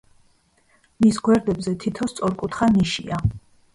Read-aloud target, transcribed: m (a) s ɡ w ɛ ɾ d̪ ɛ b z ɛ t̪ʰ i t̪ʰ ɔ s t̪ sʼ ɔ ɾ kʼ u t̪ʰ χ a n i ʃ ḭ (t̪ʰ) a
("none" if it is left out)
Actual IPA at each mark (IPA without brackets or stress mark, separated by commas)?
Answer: i, none